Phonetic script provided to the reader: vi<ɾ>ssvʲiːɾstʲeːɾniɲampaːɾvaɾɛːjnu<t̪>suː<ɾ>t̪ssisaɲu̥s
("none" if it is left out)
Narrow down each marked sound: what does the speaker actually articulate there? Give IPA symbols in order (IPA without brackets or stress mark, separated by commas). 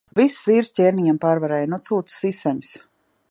none, t̪, none